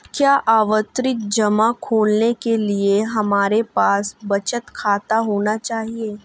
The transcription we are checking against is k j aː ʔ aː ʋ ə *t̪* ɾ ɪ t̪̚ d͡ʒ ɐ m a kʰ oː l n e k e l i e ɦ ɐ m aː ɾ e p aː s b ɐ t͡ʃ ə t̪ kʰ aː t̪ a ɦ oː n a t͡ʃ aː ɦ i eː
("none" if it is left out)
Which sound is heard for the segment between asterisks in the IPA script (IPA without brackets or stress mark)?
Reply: t̪